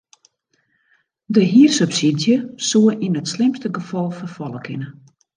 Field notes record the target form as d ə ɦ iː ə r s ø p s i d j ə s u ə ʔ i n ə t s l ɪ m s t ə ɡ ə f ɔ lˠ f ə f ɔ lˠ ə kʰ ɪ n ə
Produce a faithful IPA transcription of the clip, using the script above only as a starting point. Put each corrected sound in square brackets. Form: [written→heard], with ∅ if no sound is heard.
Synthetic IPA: d ə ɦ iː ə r s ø p s i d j ə s u ə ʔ i n ə t s l ɪ m s t ə ɡ ə f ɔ lˠ f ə f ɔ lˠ ə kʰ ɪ n ə